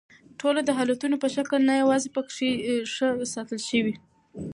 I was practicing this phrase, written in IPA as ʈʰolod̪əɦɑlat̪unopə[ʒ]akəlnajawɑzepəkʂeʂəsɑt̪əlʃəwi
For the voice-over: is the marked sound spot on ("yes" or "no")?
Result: no